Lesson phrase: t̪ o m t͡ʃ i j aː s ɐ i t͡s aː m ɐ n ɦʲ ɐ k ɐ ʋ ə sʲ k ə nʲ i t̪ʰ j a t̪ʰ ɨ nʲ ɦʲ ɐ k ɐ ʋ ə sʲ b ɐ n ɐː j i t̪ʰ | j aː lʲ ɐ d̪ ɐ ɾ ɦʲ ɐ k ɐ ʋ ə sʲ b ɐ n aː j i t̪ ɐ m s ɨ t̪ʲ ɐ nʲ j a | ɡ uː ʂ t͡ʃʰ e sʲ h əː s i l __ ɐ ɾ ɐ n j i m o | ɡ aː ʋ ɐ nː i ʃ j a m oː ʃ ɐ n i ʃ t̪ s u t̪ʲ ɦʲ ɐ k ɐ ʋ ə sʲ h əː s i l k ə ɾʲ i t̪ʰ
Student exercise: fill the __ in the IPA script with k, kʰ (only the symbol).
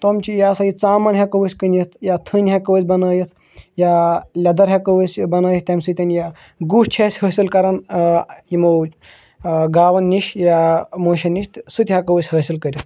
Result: k